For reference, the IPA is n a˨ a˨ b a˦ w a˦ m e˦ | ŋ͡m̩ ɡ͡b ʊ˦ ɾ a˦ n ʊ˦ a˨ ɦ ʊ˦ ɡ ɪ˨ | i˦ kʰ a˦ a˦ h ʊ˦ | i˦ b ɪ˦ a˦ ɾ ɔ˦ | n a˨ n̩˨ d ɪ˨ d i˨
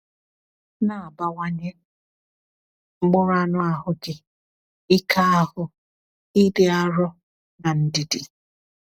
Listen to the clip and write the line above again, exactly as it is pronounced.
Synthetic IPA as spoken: n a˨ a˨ b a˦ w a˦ ɲ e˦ | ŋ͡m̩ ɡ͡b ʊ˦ ɾ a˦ n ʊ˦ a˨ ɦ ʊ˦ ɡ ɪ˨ | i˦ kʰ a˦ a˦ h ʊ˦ | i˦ d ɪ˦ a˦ ɾ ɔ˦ | n a˨ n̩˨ d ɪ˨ d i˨